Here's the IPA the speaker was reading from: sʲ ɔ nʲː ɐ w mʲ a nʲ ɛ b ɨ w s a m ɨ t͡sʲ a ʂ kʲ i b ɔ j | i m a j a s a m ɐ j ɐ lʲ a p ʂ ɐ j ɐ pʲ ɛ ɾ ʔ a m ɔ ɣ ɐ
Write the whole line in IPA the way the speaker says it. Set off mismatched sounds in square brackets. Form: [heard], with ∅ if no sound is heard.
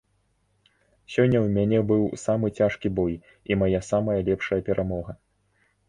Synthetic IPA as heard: sʲ ɔ nʲː ɐ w mʲ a nʲ ɛ b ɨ w s a m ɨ t͡sʲ a ʂ kʲ i b ɔ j | i m a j a s a m ɐ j ɐ lʲ [ɛ] p ʂ ɐ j ɐ pʲ ɛ ɾ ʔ a m ɔ ɣ ɐ